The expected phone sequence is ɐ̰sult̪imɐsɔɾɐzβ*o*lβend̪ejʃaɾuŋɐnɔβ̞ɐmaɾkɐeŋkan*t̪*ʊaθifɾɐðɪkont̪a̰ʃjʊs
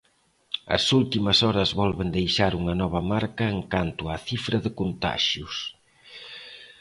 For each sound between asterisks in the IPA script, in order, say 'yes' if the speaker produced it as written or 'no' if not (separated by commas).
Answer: no, yes